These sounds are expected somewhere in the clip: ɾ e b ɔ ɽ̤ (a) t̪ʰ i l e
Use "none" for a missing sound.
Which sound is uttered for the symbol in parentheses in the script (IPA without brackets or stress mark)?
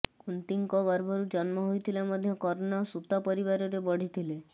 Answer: i